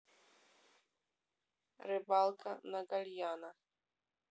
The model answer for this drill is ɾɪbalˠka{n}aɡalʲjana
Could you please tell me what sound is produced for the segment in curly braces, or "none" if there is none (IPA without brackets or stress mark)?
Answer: n